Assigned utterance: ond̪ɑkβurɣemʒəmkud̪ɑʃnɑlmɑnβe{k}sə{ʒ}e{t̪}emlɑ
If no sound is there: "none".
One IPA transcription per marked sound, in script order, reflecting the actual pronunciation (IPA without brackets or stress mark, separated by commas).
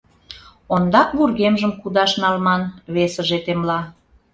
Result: none, ʒ, t̪